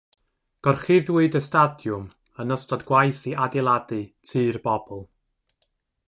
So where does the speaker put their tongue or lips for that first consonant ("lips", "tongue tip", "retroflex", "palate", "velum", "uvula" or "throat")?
velum